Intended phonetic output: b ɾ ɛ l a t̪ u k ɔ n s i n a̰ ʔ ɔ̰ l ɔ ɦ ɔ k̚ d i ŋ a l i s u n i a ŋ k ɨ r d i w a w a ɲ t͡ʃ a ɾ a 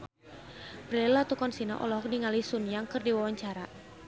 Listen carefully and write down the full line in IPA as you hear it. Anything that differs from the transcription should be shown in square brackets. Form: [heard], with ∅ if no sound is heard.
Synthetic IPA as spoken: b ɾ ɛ l a t̪ u k ɔ n s i n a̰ ʔ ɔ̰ l ɔ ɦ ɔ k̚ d i ŋ a l i s u n [j] a ŋ k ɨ r d i w a w a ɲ t͡ʃ a ɾ a